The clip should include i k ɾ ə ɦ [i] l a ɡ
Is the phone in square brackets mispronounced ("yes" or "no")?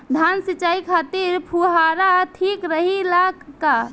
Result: no